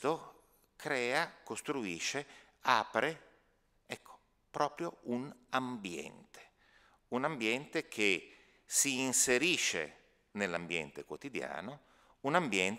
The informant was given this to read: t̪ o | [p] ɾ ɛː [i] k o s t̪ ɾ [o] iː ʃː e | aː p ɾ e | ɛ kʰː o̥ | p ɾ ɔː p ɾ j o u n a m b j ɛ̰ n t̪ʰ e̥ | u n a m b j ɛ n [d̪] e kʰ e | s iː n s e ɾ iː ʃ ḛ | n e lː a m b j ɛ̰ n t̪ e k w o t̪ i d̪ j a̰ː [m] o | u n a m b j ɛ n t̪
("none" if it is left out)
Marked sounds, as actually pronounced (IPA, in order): k, a, u, t̪, n

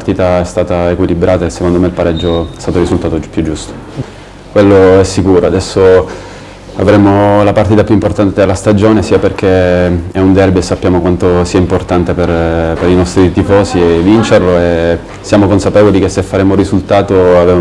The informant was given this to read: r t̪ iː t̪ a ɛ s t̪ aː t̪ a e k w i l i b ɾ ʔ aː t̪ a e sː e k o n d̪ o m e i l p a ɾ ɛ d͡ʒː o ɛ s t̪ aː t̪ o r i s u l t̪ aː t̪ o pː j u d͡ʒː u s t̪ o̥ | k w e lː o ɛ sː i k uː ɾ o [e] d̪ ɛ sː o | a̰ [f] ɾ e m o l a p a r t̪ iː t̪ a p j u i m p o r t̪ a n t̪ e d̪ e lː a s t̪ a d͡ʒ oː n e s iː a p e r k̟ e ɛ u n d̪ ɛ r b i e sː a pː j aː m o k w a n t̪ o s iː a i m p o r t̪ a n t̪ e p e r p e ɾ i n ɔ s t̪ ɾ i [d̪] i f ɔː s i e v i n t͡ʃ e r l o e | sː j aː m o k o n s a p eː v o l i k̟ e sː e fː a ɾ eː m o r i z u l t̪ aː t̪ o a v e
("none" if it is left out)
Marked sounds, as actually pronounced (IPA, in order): a, v, t̪

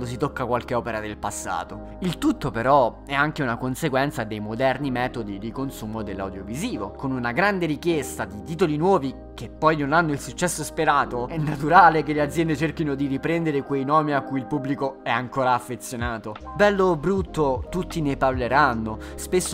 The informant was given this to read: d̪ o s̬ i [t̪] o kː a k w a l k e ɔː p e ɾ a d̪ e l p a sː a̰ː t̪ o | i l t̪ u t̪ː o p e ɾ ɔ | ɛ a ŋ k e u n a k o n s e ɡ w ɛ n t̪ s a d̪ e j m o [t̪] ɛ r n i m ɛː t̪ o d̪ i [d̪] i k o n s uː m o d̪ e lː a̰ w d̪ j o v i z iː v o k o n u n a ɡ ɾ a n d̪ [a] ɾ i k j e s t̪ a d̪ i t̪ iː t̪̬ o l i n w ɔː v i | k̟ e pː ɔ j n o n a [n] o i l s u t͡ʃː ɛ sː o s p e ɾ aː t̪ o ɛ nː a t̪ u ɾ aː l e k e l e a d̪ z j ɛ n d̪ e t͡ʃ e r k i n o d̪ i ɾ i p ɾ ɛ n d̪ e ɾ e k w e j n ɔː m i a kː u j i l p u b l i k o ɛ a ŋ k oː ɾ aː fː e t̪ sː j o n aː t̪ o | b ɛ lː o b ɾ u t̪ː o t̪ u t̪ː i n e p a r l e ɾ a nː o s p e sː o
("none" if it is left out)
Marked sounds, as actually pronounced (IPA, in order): t̪, d̪, d̪, e, nː

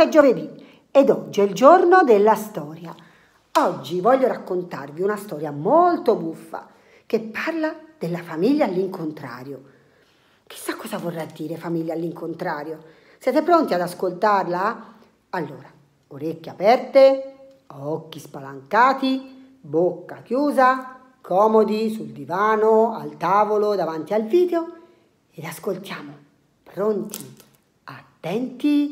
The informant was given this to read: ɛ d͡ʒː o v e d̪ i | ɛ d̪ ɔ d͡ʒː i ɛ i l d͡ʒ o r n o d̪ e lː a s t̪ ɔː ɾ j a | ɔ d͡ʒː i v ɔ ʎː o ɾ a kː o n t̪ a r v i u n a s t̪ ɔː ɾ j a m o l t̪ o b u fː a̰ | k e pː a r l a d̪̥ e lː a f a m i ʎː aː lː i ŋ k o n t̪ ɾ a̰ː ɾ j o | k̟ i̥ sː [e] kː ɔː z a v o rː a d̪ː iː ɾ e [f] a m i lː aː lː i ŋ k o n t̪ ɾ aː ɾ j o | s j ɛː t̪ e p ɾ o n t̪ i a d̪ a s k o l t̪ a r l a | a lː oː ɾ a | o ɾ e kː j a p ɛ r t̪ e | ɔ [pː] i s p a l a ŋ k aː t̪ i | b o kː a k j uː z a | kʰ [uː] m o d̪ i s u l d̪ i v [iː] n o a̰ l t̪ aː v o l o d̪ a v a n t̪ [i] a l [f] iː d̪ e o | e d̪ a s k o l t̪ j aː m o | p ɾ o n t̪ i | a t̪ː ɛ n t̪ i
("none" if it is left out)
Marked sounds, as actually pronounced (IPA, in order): a, f, kː, ɔː, aː, i, v

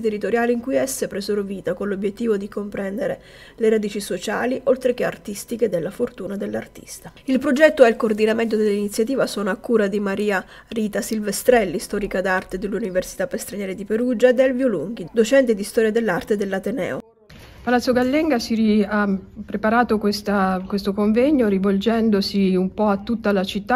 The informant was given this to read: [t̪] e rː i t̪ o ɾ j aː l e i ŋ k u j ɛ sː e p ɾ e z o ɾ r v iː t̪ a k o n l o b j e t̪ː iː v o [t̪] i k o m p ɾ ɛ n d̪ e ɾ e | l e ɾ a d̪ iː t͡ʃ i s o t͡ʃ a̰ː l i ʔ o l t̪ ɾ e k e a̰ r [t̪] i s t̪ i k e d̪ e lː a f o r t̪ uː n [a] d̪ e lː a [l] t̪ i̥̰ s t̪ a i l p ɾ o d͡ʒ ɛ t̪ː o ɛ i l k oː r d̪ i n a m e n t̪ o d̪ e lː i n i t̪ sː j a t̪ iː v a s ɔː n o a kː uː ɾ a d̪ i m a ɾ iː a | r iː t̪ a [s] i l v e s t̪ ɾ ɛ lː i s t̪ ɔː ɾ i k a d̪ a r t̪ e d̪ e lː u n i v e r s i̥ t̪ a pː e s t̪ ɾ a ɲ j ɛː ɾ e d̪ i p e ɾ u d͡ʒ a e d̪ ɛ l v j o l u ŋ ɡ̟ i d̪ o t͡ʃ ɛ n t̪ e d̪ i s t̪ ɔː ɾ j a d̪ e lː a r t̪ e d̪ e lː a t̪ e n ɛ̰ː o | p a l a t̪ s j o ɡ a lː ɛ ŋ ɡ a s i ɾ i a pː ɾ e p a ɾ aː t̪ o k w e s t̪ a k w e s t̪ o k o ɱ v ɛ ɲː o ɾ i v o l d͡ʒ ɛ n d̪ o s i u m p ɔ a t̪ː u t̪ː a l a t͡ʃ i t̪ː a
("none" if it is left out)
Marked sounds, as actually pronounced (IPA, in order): t̪, d̪, t̪, a, r, s

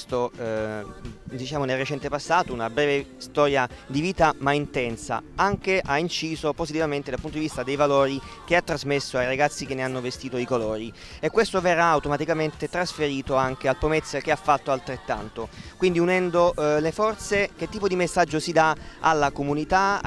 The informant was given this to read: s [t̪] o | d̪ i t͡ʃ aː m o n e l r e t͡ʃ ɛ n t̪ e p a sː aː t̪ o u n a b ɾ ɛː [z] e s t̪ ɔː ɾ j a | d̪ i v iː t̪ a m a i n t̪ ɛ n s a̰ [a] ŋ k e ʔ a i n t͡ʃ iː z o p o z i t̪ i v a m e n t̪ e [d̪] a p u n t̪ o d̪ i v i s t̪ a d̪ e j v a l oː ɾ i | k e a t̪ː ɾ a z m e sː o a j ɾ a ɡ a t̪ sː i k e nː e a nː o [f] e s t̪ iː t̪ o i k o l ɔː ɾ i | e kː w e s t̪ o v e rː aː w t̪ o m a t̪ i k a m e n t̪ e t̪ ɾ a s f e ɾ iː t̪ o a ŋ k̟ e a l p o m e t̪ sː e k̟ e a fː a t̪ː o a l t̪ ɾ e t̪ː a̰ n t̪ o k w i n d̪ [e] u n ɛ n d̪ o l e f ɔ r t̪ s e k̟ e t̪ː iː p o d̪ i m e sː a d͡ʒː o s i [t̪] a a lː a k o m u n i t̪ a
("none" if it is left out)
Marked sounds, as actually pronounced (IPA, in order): t̪, v, a, d̪, v, i, d̪

